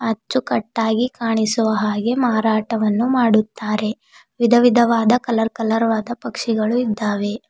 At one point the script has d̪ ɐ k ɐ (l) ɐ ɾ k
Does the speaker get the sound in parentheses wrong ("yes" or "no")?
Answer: no